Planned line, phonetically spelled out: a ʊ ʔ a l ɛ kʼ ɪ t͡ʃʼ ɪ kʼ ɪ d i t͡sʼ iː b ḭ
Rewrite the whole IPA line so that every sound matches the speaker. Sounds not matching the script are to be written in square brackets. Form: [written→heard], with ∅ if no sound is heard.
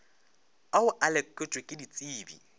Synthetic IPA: a ʊ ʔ a l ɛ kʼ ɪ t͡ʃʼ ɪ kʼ ɪ d i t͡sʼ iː b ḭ